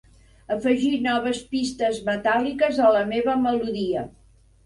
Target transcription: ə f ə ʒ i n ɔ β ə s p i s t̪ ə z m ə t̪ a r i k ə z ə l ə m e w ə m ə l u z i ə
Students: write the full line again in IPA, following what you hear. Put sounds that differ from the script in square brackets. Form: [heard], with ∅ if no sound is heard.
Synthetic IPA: ə f ə ʒ i n ɔ β ə s p i s t̪ ə z m ə t̪ a [l] i k ə z ə l ə m e [β] ə m ə l u [ð] i ə